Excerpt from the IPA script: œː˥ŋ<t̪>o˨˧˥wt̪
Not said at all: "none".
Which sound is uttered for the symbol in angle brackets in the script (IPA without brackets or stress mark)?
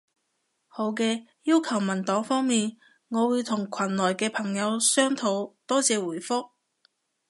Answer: t̪ʰ